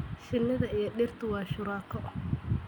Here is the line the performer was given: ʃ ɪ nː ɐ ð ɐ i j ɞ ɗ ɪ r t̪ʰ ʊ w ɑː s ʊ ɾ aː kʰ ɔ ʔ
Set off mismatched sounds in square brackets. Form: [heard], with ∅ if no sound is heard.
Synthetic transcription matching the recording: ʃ ɪ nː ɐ ð ɐ i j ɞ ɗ ɪ r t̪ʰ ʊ w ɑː [ʃ] ʊ ɾ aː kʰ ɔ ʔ